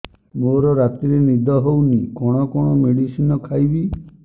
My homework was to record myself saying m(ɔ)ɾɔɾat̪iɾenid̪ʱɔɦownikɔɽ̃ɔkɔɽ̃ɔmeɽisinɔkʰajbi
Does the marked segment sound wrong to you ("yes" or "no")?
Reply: yes